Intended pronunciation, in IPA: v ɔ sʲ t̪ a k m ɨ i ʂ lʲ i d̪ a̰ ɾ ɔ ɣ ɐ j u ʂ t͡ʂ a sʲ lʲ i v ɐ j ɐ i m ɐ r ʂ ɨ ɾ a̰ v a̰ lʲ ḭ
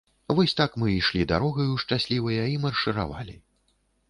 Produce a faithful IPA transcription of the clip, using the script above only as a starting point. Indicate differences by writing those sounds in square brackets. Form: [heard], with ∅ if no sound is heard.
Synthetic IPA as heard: v ɔ sʲ t̪ a k m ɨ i ʂ lʲ i d̪ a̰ ɾ ɔ ɣ ɐ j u ʂ t͡ʂ a sʲ lʲ i v ɐ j ɐ i m ɐ r ʂ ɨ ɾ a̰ v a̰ lʲ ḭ